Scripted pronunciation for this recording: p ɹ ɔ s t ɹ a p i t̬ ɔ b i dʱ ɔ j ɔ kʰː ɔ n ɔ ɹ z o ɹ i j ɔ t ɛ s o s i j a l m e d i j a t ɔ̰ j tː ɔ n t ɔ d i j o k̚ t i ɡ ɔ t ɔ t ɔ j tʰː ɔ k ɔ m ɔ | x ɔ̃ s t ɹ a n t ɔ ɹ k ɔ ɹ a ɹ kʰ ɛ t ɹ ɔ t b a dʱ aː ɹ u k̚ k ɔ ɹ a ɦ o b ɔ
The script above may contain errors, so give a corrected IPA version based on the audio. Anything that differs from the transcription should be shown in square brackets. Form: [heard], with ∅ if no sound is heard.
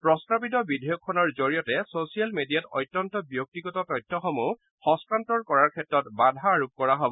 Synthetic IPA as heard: p ɹ ɔ s t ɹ a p i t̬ ɔ b i dʱ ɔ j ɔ kʰː ɔ n ɔ ɹ z o ɹ i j ɔ t ɛ s o s i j a l m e d i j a t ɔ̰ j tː ɔ n t ɔ [b] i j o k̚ t i ɡ ɔ t ɔ t ɔ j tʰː ɔ [x] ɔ m [u] | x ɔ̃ s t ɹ a n t ɔ ɹ k ɔ ɹ a ɹ kʰ ɛ t ɹ ɔ t b a dʱ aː ɹ u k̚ k ɔ ɹ a ɦ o b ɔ